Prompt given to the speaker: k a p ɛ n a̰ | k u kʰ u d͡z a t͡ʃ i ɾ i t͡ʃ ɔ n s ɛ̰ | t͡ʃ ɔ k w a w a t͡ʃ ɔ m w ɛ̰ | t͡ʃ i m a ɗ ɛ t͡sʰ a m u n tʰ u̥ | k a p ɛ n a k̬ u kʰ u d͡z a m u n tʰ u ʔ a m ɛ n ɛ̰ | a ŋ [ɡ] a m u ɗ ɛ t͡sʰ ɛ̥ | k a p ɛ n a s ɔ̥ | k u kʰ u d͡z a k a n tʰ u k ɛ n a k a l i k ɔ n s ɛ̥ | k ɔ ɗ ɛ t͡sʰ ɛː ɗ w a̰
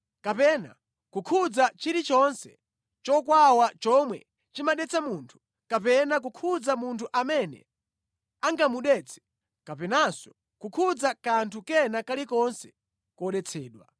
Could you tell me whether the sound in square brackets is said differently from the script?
no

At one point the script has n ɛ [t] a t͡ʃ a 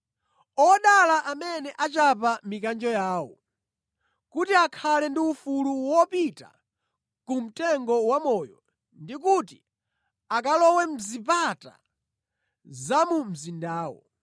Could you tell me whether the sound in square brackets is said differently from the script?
yes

